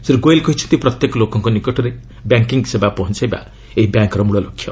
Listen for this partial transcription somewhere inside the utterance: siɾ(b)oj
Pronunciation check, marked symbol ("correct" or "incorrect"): incorrect